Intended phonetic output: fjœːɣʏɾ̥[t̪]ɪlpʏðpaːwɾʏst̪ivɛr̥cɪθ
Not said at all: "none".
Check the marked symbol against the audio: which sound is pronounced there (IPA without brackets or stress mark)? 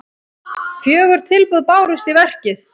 t̪ʰ